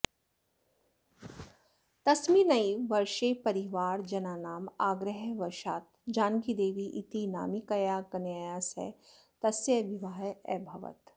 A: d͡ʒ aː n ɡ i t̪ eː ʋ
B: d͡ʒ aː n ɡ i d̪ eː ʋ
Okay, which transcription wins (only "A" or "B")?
B